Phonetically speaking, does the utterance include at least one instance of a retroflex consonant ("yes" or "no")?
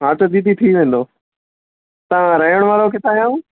yes